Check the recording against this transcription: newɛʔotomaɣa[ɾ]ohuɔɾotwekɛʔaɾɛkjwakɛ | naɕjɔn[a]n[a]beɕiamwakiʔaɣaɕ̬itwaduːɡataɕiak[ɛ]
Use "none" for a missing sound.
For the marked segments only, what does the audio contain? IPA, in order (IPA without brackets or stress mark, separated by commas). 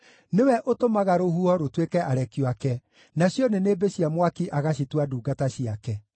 ɾ, e, e, ɛ